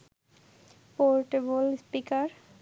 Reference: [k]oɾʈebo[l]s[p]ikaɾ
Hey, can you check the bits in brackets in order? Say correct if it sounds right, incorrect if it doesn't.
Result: incorrect: p, correct, correct

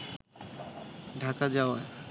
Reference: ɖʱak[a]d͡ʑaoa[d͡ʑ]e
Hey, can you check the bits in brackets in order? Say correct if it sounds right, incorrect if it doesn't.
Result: correct, incorrect: none

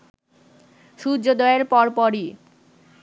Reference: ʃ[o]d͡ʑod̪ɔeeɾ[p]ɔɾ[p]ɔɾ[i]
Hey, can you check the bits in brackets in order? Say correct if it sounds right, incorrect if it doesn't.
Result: incorrect: u, correct, correct, correct

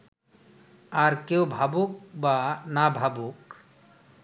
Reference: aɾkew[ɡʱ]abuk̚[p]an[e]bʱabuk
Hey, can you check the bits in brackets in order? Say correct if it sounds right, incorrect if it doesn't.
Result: incorrect: bʱ, incorrect: b, incorrect: a

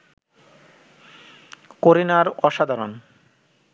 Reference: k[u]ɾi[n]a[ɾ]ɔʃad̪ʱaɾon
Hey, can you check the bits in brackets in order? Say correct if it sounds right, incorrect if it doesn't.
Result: incorrect: o, correct, correct

